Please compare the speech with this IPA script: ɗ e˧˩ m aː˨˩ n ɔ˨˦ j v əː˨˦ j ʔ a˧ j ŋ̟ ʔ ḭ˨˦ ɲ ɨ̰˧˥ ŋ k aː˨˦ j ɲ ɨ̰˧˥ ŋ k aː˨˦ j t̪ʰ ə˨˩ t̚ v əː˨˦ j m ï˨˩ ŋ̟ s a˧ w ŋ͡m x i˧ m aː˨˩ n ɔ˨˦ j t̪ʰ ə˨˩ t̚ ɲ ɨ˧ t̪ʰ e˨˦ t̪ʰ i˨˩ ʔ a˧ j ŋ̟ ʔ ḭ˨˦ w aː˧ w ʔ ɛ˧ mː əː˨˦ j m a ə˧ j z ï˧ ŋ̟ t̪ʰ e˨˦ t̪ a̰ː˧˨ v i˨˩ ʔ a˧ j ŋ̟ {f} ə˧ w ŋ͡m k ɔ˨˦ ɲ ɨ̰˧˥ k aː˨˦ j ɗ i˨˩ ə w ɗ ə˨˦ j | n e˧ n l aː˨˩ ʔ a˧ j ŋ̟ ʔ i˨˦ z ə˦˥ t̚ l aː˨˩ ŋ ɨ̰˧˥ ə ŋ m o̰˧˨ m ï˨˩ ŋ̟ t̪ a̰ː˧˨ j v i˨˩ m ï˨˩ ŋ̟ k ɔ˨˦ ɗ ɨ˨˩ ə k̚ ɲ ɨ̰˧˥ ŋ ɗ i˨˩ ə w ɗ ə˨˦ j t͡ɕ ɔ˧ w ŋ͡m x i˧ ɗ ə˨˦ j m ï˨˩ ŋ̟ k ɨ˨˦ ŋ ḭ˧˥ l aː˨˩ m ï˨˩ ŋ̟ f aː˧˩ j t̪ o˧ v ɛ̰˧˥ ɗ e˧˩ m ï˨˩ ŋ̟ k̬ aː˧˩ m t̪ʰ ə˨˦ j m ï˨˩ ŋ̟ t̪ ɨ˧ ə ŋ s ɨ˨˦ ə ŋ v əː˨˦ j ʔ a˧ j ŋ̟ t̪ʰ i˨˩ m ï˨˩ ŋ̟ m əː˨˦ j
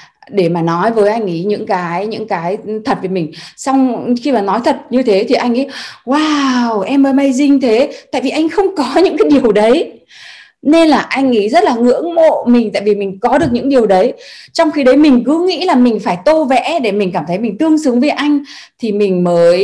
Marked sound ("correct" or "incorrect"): incorrect